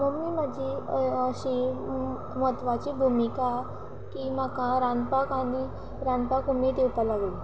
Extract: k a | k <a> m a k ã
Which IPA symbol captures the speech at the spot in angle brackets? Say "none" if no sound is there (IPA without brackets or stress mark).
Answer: i